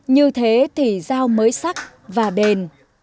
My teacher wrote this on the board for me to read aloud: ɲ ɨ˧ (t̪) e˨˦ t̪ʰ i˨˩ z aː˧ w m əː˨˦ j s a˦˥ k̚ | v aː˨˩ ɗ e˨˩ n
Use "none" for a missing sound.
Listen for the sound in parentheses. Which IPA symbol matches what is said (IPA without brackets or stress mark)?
t̪ʰ